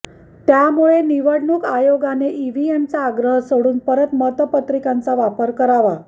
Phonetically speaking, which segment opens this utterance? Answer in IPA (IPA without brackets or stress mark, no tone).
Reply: t̪